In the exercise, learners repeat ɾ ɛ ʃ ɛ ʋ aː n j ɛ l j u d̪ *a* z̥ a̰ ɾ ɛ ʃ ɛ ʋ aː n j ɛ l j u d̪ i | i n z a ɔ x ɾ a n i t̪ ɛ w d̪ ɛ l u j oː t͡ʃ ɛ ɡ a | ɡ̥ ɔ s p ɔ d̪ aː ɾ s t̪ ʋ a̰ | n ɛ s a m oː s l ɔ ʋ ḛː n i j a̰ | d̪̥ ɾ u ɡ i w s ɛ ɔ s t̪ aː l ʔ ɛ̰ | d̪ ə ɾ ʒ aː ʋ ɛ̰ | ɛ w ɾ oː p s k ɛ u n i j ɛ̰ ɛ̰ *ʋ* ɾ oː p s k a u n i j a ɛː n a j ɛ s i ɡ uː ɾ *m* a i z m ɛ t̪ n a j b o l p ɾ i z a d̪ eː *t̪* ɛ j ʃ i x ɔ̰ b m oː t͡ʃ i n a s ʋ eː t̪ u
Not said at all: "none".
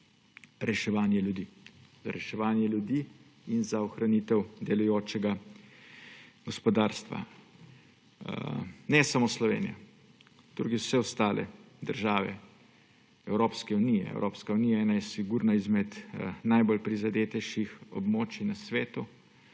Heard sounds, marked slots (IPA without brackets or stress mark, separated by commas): i, w, n, t̪